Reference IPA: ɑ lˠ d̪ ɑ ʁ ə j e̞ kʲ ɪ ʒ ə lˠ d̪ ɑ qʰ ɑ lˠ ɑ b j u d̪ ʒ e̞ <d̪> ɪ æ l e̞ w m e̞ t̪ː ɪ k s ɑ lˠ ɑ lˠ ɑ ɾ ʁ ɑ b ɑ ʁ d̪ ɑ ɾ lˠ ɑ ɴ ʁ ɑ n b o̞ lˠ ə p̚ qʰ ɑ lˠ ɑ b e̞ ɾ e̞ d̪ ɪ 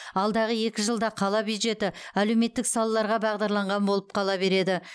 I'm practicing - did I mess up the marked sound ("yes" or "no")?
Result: yes